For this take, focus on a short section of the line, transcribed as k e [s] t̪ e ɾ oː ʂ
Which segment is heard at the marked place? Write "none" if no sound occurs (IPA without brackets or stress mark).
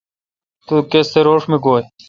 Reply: s